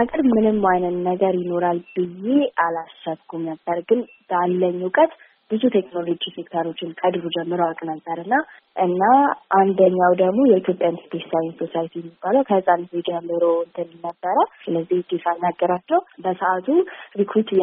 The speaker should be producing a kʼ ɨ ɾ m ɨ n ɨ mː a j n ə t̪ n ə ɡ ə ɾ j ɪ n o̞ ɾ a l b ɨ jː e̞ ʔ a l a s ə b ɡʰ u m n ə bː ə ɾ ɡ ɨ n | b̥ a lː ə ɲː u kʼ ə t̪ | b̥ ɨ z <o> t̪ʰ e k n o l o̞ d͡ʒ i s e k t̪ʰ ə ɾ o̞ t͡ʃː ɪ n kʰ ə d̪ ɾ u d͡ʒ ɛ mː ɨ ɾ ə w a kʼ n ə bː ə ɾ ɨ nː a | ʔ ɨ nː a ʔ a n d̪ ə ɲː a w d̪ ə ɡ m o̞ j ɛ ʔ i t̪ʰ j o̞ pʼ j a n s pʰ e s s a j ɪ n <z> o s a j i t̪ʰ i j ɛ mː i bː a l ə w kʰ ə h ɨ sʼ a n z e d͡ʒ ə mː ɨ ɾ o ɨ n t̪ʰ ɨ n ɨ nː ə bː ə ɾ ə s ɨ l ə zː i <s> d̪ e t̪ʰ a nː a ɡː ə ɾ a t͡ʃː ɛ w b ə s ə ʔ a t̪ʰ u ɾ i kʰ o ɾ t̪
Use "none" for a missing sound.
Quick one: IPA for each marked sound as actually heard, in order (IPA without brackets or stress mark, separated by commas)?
u, s, h